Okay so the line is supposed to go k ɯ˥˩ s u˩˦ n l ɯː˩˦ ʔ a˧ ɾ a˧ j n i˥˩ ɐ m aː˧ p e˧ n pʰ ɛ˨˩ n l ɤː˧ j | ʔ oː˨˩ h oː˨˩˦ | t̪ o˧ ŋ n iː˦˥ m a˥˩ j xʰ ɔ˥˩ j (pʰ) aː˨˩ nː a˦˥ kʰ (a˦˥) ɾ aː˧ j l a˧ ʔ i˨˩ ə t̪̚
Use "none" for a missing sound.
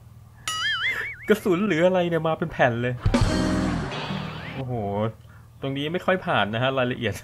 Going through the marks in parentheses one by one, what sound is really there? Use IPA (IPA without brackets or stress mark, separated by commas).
pʰ, a˦˥